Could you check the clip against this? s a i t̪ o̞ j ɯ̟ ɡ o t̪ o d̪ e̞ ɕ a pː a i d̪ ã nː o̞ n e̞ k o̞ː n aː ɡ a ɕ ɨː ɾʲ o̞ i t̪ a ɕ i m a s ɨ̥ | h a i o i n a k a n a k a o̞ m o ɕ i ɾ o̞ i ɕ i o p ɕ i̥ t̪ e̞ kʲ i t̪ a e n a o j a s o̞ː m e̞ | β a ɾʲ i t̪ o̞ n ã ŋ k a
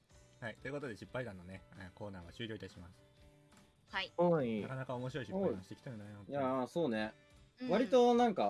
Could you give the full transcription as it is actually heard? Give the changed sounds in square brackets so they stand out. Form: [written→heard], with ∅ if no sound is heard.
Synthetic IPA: [s→h] a i t̪ o̞ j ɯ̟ [ɡ→k] o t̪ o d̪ e̞ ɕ [a→i] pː a i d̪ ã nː o̞ n e̞ k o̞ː n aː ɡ a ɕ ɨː ɾʲ o̞ i t̪ a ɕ i m a s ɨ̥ | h a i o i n a k a n a k a o̞ m o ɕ i ɾ o̞ i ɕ i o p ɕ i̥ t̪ e̞ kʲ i t̪ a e n a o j a s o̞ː [m→n] e̞ | β a ɾʲ i t̪ o̞ n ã ŋ k a